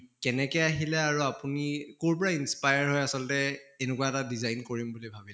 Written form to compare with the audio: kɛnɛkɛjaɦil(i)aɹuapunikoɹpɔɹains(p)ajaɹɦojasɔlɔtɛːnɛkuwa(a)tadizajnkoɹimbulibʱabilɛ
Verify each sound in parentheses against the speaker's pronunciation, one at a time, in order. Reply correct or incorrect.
incorrect, correct, incorrect

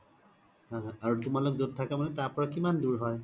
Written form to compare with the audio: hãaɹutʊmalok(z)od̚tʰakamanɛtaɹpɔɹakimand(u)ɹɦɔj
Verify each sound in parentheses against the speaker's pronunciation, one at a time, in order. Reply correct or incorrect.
correct, correct

